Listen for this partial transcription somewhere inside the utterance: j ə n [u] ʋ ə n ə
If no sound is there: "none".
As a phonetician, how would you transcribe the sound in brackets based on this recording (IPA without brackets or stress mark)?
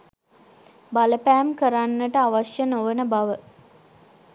o